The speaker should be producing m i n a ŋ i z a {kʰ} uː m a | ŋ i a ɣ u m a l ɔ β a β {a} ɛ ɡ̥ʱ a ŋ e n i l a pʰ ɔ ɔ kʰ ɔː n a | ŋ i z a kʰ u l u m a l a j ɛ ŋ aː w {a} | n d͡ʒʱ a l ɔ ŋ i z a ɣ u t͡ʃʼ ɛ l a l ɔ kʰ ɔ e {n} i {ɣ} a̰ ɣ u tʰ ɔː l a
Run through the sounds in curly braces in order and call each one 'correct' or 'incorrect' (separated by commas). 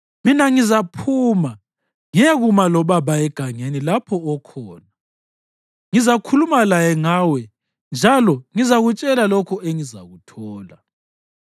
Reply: incorrect, correct, incorrect, incorrect, incorrect